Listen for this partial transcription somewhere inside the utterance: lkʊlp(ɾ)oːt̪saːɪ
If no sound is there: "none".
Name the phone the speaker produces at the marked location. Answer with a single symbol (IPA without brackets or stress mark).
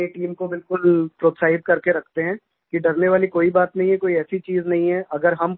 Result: ɾ